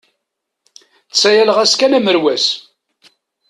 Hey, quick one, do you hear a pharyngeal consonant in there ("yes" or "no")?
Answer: no